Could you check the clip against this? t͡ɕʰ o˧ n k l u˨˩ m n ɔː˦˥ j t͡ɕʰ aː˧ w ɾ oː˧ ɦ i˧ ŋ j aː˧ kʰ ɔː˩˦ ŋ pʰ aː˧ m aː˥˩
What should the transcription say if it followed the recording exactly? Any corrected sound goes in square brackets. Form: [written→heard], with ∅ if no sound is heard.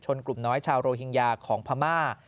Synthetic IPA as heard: t͡ɕʰ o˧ n k l u˨˩ m n ɔː˦˥ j t͡ɕʰ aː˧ w ɾ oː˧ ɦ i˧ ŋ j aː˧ kʰ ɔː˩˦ ŋ pʰ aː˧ m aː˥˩